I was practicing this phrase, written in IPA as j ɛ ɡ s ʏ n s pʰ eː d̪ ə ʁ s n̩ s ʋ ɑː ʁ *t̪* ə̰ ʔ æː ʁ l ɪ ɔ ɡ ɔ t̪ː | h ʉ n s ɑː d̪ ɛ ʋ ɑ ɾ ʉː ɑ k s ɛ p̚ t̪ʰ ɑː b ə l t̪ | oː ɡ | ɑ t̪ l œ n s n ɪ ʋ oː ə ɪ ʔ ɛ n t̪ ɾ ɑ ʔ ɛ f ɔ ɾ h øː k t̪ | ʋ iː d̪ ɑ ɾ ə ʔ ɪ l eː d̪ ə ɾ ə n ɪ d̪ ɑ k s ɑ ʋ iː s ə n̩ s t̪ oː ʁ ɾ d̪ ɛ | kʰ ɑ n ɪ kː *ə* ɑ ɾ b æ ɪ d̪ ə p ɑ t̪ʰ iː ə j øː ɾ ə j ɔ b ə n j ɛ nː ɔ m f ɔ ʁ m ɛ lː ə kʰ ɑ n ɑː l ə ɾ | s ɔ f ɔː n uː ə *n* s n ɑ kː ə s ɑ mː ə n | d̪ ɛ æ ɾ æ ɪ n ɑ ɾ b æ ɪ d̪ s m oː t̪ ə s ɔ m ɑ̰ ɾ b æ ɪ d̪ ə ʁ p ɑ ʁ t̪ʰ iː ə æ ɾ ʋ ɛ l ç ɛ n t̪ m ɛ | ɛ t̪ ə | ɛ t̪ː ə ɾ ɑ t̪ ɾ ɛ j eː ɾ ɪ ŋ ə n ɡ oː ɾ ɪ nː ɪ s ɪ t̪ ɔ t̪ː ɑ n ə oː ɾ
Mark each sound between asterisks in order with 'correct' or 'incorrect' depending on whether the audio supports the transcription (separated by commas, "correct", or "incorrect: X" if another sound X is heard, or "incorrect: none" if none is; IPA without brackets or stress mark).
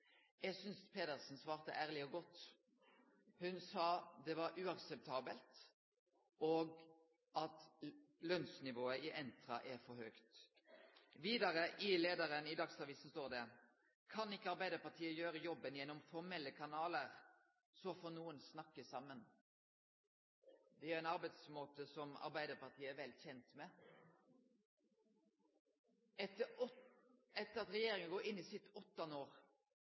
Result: correct, correct, correct